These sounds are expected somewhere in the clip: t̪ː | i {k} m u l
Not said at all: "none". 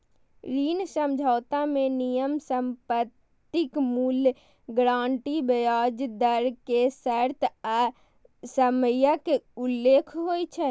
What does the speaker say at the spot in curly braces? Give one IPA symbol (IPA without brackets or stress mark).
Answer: k